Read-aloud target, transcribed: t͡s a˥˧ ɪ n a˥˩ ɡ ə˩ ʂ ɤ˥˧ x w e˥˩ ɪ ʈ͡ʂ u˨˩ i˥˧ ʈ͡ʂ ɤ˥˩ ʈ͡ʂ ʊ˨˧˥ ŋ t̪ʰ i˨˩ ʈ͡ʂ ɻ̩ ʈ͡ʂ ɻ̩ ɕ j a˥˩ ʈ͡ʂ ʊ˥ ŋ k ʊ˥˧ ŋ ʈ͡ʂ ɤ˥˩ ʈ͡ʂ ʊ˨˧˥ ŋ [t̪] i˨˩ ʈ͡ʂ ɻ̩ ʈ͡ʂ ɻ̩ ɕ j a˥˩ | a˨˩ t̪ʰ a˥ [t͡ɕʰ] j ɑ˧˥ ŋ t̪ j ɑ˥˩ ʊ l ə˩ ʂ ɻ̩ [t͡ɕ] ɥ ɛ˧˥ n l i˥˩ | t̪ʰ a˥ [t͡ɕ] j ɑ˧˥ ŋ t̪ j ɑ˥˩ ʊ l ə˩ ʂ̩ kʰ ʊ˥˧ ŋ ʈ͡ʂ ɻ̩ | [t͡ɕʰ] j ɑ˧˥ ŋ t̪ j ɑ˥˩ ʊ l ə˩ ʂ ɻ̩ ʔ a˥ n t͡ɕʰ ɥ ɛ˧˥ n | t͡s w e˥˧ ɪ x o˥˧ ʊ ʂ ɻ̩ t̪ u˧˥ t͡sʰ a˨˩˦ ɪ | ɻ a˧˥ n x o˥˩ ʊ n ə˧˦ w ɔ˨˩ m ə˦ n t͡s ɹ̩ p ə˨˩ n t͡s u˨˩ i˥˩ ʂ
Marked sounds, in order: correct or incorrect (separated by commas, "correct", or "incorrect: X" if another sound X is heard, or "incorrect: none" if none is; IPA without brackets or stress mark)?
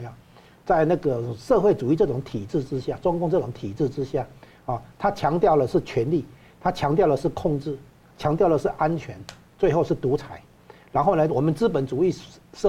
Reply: incorrect: t̪ʰ, correct, incorrect: t͡ɕʰ, incorrect: t͡ɕʰ, correct